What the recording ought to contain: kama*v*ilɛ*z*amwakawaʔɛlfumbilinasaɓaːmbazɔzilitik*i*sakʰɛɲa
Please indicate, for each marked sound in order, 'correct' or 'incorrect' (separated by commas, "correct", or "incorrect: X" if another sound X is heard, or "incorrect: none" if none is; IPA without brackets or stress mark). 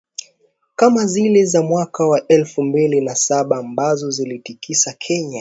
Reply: incorrect: z, correct, correct